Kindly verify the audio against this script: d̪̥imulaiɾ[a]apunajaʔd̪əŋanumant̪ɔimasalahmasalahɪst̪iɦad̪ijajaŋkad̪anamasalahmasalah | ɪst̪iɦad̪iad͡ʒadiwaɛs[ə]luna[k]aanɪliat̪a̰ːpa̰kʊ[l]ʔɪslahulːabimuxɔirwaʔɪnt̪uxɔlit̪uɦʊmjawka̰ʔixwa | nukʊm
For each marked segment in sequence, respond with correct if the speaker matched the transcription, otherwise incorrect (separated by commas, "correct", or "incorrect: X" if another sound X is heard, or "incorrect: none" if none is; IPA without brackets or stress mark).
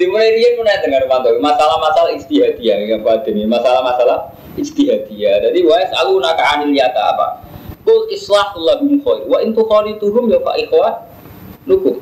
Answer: incorrect: i, incorrect: a, correct, correct